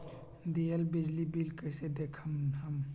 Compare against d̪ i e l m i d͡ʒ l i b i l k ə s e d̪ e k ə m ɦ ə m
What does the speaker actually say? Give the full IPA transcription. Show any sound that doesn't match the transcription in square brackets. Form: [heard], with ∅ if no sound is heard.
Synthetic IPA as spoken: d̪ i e l [b] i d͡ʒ l i b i l k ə s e d̪ e [kʰ] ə m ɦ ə m